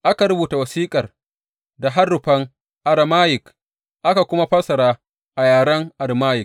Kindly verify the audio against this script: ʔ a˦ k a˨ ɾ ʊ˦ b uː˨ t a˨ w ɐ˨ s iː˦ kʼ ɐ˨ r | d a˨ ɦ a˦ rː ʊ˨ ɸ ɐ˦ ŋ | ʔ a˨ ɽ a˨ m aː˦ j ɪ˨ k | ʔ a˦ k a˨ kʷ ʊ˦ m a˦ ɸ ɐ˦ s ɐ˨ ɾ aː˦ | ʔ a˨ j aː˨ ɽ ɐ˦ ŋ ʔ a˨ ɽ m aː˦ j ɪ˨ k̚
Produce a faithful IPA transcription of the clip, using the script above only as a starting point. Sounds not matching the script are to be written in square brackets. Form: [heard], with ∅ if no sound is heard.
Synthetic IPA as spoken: ʔ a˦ k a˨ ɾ ʊ˦ b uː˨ t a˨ w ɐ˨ s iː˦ kʼ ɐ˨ r | d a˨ ɦ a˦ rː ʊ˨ ɸ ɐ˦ ŋ | ʔ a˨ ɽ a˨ m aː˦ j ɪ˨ k | ʔ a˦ k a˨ kʷ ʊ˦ m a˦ ɸ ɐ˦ s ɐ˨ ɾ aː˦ | ʔ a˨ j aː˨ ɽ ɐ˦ ŋ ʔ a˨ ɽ m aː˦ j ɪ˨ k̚

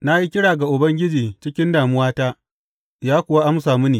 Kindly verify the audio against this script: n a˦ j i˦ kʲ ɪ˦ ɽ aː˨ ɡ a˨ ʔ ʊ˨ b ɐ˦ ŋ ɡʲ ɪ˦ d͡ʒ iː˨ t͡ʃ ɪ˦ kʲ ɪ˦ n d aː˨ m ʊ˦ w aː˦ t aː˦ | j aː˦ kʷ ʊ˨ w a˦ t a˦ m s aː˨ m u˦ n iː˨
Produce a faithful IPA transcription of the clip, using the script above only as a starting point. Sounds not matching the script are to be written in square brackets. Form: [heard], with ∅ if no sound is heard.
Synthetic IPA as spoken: n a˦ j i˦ kʲ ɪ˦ ɽ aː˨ ɡ a˨ ʔ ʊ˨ b ɐ˦ ŋ ɡʲ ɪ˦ d͡ʒ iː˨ t͡ʃ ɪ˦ kʲ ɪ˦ n d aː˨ m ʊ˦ w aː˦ t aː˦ | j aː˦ kʷ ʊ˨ w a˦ [ʔ] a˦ m s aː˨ m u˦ n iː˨

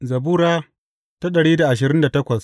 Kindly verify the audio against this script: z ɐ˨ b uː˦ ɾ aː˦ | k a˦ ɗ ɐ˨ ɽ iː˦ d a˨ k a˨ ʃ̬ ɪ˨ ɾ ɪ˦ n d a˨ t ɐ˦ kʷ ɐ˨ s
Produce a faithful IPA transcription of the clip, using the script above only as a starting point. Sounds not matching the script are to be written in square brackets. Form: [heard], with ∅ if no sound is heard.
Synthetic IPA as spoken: z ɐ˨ b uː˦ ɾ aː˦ | [t] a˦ ɗ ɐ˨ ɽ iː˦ d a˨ [ʔ] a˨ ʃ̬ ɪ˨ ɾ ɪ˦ n d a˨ t ɐ˦ kʷ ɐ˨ s

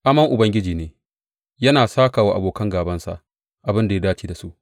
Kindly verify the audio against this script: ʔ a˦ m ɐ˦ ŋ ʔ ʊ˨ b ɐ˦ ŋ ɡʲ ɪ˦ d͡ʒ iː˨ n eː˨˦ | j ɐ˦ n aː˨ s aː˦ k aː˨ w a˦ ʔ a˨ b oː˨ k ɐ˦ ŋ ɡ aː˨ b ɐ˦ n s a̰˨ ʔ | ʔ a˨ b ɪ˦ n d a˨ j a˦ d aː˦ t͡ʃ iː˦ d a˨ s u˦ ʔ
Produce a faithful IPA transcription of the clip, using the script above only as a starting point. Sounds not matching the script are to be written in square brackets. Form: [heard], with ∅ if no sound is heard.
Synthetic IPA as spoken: ʔ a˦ m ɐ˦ ŋ ʔ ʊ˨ b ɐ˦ ŋ ɡʲ ɪ˦ d͡ʒ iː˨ n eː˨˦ | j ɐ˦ n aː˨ s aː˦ k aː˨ w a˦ ʔ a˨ b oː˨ k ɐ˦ ŋ ɡ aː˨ b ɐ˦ n s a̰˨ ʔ | ʔ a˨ b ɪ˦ n d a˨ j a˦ d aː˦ t͡ʃ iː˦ d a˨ s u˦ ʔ

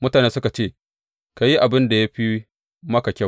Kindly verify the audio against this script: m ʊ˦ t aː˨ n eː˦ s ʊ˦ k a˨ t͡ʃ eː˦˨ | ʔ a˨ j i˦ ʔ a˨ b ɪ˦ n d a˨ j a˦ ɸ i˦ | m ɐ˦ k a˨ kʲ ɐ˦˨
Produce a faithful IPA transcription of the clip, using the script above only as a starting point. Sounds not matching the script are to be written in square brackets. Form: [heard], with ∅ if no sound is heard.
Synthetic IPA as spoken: m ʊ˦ t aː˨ n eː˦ s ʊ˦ k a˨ t͡ʃ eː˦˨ | [k] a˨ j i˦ ʔ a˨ b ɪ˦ n d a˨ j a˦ ɸ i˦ | m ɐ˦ k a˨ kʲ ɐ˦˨

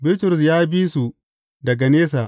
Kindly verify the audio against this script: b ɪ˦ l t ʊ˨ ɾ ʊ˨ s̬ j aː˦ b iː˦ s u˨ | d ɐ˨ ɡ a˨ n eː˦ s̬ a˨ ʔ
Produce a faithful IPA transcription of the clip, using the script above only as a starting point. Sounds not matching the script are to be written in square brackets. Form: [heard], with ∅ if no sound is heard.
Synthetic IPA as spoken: b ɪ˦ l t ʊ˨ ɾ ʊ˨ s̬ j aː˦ b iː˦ s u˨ | d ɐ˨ ɡ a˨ n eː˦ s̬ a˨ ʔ

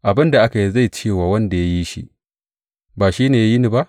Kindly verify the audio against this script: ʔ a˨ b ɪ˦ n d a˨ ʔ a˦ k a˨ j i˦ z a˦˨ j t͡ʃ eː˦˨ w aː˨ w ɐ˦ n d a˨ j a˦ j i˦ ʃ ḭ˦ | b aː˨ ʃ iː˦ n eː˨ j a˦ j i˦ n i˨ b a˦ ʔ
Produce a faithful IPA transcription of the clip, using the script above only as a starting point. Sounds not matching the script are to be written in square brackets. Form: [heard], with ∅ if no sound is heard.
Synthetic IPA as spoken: ʔ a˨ b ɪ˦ n d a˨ ʔ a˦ k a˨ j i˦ z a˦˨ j t͡ʃ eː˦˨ w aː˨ w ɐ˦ n d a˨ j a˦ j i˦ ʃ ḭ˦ | b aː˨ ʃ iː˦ n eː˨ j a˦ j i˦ n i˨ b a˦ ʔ

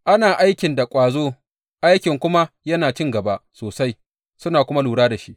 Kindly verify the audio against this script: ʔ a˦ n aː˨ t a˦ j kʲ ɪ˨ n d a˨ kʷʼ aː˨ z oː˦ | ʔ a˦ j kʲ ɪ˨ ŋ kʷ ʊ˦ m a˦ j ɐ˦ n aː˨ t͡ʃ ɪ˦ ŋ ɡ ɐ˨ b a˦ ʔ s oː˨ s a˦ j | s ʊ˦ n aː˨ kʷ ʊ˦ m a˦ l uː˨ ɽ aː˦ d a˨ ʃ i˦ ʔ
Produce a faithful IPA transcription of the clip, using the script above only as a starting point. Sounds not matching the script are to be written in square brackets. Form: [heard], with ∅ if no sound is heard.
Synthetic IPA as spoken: ʔ a˦ n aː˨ [ʔ] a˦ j kʲ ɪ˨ n d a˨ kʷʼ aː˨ z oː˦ | ʔ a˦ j kʲ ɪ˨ ŋ kʷ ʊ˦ m a˦ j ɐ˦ n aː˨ t͡ʃ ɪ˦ ŋ ɡ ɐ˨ b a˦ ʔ s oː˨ s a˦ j | s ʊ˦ n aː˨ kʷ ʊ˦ m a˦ l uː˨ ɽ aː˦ d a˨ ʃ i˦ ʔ

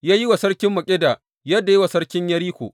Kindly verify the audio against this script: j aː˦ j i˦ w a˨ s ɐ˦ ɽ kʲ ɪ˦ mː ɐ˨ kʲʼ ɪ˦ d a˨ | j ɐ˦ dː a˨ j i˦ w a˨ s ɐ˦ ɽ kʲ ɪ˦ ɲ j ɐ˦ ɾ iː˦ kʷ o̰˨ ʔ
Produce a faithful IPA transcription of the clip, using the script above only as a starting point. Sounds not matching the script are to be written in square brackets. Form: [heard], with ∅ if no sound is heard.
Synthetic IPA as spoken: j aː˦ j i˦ w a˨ s ɐ˦ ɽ kʲ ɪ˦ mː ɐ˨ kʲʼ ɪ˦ d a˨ | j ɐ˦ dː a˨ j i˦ w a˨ s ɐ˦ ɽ kʲ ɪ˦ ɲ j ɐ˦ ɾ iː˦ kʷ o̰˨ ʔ

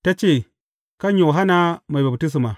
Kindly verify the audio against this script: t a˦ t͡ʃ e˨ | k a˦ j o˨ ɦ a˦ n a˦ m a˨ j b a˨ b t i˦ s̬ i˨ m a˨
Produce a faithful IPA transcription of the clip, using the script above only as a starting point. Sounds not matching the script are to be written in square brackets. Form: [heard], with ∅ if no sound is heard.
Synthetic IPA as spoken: t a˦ t͡ʃ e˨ | k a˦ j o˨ ɦ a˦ n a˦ m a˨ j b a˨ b t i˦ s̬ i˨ m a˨

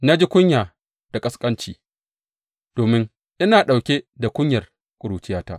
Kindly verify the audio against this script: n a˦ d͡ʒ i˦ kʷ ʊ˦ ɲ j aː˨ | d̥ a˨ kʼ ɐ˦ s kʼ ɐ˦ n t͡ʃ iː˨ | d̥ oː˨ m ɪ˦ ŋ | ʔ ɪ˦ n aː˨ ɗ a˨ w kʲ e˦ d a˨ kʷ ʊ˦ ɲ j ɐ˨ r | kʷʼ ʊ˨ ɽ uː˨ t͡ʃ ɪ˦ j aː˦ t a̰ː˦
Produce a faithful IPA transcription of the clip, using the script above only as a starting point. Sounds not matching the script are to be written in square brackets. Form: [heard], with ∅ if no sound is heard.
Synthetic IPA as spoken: n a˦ d͡ʒ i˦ kʷ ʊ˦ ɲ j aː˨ | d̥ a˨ kʼ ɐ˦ s kʼ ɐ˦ n t͡ʃ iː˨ | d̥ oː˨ m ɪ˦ ŋ | ʔ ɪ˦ n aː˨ ɗ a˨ w kʲ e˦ d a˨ kʷ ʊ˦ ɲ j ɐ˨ r | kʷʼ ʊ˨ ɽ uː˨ t͡ʃ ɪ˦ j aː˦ t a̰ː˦

